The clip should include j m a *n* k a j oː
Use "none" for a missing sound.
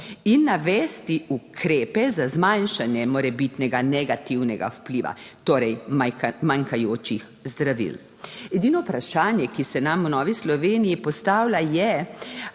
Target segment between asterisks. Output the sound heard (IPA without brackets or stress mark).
ŋ